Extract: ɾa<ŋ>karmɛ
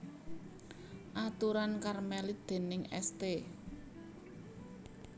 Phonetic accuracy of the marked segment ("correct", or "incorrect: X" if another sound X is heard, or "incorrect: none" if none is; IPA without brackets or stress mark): incorrect: n